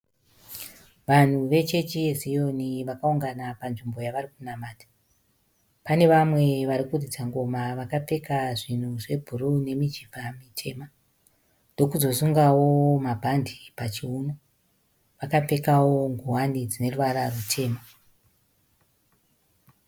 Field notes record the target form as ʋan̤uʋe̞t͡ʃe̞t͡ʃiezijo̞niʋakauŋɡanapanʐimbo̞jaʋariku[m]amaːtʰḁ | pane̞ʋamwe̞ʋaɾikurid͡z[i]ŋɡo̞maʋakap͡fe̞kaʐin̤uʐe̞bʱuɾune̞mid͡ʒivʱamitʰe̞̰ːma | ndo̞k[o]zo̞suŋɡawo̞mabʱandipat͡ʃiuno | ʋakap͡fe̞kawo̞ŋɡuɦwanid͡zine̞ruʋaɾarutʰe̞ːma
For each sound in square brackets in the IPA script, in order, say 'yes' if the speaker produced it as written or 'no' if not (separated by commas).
no, no, no